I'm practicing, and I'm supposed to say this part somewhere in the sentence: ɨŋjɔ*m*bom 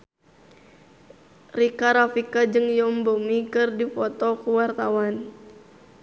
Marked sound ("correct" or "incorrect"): correct